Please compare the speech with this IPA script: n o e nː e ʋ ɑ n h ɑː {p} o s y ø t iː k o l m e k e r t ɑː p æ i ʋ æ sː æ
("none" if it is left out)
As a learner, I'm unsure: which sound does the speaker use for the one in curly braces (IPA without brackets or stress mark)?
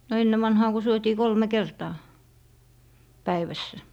k